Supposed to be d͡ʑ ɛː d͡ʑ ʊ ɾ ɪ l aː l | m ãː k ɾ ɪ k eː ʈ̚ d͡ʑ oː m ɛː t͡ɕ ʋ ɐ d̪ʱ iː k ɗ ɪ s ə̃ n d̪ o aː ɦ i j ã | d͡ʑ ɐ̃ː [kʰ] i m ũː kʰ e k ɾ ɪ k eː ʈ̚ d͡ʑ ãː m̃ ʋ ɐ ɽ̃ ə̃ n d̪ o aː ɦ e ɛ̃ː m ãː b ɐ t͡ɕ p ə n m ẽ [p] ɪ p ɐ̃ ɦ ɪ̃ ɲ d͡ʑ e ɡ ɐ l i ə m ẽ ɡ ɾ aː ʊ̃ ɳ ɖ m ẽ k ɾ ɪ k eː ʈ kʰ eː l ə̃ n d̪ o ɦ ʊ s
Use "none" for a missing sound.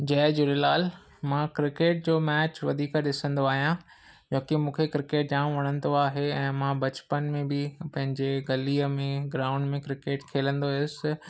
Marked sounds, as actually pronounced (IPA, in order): k, b

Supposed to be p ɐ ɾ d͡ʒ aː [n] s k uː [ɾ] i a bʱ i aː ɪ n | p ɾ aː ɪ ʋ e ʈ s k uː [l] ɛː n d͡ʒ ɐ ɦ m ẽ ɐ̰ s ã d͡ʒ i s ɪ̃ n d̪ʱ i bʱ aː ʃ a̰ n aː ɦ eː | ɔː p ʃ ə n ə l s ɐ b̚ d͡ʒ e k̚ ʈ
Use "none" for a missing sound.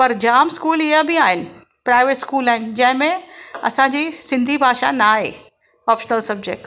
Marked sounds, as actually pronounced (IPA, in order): m, l, l

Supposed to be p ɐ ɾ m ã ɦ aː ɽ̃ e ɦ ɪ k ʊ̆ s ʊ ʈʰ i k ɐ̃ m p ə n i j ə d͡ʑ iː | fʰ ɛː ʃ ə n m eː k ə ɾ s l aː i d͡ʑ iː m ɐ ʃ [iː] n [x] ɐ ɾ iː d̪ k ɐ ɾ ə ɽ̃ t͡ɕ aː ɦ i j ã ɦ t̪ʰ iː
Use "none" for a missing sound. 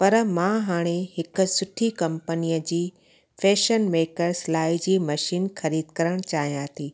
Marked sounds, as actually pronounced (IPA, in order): iː, x

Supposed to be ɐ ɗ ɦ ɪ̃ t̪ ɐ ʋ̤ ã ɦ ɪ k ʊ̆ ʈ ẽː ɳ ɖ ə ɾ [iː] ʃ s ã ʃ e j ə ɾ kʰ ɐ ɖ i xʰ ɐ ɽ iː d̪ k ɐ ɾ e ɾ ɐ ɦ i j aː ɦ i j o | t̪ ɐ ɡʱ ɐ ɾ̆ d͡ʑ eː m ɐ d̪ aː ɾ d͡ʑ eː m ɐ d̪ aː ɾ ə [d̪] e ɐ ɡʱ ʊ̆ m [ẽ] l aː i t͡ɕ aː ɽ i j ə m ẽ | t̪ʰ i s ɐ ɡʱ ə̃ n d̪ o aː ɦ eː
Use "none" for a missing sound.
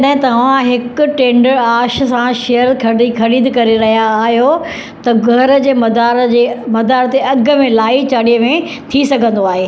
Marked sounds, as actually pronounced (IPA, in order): aː, t̪, ẽ

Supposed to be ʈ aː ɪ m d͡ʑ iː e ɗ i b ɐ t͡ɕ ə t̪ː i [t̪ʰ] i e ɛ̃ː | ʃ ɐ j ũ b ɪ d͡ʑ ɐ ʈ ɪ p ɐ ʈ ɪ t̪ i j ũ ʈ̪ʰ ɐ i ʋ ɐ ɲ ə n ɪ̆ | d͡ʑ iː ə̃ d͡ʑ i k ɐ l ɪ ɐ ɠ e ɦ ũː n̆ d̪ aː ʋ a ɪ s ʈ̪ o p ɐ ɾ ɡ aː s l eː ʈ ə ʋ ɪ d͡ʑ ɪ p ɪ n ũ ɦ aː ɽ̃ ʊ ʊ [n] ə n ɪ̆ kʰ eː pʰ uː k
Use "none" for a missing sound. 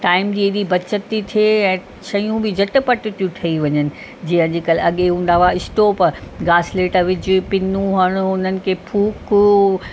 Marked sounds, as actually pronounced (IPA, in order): t̪ʰ, n

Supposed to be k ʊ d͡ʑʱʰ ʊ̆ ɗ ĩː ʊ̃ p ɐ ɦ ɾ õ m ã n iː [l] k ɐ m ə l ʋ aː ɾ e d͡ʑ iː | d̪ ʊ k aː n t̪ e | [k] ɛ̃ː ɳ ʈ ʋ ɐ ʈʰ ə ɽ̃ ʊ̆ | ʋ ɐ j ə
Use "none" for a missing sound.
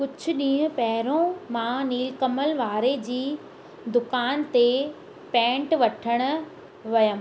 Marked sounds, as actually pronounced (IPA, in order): l, p

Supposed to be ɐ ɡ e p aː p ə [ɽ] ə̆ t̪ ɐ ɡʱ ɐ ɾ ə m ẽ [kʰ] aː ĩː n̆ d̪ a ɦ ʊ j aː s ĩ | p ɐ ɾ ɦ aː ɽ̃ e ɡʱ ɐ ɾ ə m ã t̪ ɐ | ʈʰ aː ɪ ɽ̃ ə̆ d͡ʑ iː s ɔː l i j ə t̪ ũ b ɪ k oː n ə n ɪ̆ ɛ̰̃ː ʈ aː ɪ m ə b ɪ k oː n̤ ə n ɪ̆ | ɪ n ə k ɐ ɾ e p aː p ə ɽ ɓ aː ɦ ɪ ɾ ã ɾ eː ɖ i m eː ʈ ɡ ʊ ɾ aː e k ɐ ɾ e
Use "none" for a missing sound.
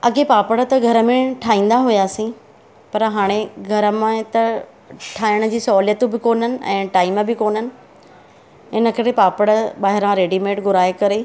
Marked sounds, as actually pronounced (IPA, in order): ɽ, ʈʰ

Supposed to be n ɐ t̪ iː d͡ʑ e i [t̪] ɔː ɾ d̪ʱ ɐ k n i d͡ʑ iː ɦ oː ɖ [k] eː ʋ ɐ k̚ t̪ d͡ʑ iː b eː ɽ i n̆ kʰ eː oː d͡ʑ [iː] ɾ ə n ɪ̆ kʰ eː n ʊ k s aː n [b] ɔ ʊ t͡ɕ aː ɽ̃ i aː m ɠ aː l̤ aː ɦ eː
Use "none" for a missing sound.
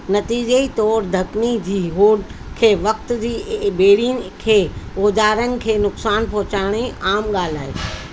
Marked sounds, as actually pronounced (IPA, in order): t̪, kʰ, aː, p

